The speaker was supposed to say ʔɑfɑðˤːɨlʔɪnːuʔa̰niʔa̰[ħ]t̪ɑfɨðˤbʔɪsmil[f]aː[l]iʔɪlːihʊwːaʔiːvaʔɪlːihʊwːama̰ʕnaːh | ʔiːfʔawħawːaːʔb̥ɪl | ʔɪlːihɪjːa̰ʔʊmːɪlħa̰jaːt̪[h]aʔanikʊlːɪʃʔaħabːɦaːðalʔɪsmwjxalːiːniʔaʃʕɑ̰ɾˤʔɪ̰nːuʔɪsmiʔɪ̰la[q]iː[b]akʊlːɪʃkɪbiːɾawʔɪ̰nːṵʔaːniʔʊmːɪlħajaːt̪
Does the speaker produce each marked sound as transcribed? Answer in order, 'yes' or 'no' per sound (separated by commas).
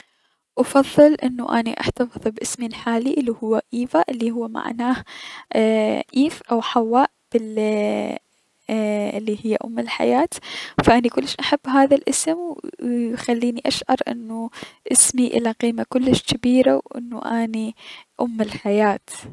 yes, no, yes, no, yes, no